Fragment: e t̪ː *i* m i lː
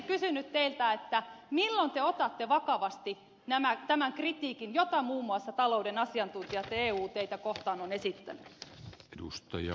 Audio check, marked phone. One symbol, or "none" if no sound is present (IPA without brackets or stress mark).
æ